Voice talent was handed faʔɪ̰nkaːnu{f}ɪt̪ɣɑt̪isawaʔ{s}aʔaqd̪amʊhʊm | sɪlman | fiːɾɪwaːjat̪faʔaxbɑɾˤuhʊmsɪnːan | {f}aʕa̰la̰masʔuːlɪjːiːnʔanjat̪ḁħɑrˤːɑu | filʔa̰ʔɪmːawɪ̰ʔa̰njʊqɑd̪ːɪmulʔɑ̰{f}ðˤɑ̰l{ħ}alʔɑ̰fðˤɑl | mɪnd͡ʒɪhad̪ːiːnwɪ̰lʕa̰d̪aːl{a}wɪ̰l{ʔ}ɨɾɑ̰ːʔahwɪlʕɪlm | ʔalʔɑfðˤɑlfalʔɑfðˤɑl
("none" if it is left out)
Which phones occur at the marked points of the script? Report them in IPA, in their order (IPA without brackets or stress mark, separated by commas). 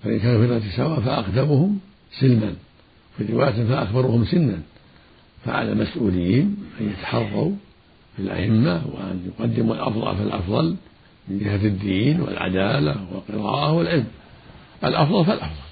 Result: f, f, f, f, f, a, q